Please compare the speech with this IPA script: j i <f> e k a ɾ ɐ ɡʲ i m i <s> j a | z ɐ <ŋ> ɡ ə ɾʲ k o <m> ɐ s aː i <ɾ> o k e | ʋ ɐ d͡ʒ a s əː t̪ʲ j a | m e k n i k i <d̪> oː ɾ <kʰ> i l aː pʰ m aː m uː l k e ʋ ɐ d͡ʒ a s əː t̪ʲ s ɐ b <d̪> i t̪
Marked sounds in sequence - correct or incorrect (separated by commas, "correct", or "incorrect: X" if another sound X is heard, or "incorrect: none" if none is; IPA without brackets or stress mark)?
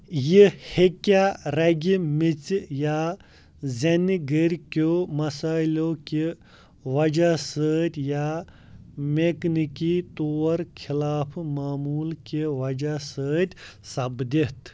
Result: incorrect: h, incorrect: t͡s, incorrect: n, correct, incorrect: l, incorrect: t̪, correct, correct